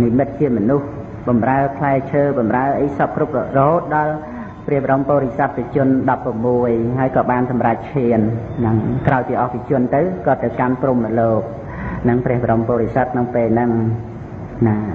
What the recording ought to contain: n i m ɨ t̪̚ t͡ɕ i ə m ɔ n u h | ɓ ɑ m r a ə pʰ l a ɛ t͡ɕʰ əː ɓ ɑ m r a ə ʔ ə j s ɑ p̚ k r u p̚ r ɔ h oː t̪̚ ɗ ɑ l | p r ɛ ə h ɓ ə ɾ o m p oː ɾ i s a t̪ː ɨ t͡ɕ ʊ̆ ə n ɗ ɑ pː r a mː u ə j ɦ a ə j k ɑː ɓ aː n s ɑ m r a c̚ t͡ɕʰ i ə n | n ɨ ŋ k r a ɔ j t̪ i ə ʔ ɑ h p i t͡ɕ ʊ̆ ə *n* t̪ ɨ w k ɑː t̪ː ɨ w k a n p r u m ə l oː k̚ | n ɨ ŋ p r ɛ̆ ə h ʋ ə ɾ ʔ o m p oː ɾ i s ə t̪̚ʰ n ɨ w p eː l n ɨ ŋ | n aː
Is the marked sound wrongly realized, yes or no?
no